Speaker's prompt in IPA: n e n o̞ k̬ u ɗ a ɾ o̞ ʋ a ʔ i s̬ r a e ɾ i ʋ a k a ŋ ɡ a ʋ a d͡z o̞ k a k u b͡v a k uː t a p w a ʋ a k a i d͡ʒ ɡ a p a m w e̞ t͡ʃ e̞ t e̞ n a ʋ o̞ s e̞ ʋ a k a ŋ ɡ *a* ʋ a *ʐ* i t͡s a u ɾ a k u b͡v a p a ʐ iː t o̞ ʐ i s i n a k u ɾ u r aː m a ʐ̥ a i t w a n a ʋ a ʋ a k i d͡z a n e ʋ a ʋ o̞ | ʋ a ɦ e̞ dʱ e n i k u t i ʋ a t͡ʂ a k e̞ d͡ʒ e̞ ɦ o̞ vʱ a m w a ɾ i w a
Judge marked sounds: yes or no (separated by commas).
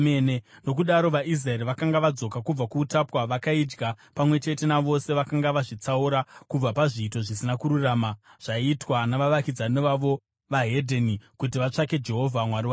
yes, yes